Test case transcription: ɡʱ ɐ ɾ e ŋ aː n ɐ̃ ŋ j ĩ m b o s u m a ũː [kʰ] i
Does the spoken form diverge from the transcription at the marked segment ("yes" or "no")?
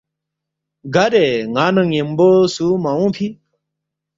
yes